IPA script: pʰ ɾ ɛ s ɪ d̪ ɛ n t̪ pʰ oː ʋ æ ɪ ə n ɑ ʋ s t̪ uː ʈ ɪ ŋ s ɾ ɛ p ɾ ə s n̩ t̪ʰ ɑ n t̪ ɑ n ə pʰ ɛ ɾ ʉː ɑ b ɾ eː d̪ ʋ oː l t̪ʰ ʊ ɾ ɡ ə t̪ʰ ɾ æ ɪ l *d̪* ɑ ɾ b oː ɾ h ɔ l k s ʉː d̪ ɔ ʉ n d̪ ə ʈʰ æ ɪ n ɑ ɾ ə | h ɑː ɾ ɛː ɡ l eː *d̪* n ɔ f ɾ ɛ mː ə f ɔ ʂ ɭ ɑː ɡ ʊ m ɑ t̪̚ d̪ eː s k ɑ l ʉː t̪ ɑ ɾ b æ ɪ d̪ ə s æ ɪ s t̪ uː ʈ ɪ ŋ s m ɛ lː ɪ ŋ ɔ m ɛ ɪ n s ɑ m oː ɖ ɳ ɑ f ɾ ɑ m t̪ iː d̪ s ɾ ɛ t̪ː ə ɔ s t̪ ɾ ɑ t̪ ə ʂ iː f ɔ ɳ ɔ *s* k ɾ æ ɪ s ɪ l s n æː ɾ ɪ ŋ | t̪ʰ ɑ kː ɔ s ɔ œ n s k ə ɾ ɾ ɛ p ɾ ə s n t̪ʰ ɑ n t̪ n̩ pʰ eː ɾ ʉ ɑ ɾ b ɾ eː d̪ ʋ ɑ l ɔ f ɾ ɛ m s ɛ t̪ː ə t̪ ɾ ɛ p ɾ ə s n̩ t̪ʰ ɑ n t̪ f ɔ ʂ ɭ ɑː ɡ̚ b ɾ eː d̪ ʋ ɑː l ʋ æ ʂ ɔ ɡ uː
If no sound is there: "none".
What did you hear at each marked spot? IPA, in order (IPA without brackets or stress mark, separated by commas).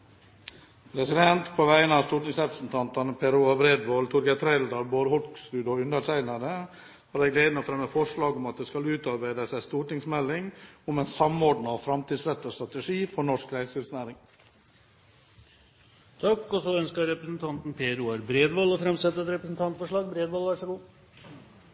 d̪, d̪, ʂ